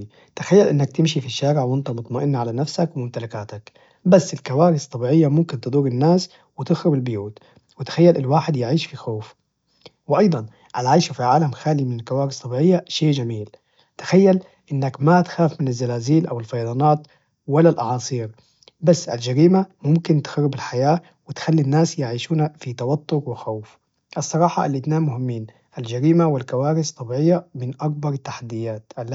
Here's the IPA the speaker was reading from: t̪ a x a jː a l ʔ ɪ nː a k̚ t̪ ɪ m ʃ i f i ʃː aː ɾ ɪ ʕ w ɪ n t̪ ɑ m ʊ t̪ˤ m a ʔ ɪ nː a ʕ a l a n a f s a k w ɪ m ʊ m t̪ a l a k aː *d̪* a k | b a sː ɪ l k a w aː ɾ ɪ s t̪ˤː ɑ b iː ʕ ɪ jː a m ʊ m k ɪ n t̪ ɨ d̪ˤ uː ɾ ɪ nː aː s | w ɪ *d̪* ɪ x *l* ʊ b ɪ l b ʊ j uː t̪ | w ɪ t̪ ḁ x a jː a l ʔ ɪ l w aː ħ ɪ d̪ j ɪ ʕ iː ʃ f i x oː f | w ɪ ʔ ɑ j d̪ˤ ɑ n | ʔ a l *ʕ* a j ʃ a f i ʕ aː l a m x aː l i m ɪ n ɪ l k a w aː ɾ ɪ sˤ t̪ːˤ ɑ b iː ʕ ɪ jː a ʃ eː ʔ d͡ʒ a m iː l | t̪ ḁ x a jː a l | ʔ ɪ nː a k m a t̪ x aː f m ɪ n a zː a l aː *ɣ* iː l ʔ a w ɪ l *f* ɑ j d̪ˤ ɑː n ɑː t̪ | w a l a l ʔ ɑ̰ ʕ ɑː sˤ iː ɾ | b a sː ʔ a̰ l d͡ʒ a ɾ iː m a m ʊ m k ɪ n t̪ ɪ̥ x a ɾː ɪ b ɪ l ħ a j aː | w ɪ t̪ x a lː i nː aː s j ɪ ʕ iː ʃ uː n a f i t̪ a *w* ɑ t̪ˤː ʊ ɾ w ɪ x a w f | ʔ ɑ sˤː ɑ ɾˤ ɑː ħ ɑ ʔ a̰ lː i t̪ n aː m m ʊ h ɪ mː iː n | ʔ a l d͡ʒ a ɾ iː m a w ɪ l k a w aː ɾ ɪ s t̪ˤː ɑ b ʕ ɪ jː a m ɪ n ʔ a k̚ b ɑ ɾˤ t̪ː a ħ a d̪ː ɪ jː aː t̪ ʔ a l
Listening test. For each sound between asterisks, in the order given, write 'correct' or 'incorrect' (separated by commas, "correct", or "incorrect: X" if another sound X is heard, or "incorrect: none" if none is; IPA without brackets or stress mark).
incorrect: t̪, incorrect: t̪, incorrect: ɾ, correct, incorrect: z, correct, correct